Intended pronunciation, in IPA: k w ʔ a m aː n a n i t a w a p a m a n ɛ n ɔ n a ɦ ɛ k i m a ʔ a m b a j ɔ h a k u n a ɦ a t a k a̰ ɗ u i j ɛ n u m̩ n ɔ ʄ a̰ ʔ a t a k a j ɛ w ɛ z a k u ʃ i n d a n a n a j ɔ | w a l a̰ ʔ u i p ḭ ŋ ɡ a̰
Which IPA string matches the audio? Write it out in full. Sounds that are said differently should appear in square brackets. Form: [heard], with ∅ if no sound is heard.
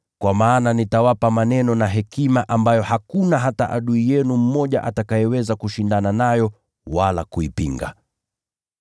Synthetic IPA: k w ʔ a m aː n a n i t a w a p a m a n ɛ n ɔ n a ɦ ɛ k i m a ʔ a m b a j ɔ h a k u n a ɦ a t a [ʔ] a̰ ɗ u i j ɛ n u m̩ [m] ɔ ʄ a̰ ʔ a t a k a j ɛ w ɛ z a k u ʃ i n d a n a n a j ɔ | w a l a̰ [k] u i p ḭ ŋ ɡ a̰